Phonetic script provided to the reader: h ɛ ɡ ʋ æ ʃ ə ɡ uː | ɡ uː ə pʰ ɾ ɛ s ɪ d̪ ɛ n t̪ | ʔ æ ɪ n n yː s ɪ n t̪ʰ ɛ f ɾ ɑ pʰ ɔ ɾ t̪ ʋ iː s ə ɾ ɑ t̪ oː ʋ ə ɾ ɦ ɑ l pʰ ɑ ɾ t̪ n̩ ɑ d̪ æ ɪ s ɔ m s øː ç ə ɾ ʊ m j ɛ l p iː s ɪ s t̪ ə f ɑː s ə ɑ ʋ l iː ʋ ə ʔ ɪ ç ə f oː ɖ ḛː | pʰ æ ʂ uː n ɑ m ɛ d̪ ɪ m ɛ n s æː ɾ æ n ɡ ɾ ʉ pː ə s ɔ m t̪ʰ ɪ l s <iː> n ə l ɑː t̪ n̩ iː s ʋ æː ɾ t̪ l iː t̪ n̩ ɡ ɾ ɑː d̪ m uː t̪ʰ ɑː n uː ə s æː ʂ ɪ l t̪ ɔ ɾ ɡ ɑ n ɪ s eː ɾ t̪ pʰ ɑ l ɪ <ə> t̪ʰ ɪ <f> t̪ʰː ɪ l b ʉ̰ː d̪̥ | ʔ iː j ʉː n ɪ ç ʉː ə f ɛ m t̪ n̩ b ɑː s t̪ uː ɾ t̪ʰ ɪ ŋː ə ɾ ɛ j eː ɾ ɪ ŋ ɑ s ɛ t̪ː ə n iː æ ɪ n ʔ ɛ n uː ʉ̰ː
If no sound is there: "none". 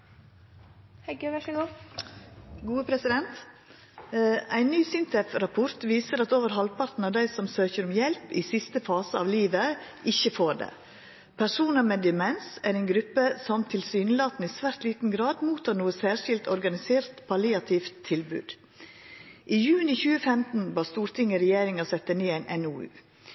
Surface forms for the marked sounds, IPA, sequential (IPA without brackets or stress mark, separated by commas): yː, ɑ, f